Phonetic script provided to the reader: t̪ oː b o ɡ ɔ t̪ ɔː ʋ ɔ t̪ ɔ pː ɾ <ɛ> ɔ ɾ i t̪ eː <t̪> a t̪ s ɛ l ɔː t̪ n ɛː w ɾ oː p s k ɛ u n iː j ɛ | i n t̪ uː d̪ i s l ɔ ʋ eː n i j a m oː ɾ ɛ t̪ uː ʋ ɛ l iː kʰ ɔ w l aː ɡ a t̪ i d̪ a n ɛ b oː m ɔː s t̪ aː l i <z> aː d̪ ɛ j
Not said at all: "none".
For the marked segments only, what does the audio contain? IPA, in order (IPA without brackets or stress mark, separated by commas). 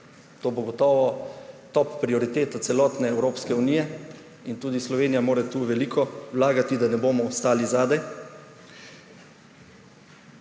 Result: i, t̪, z